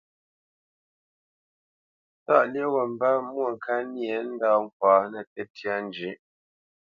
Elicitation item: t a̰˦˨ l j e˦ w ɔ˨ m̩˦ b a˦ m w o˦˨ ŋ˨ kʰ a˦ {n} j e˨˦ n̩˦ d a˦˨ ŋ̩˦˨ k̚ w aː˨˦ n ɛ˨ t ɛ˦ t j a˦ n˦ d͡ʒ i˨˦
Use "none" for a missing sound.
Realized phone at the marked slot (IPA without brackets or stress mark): n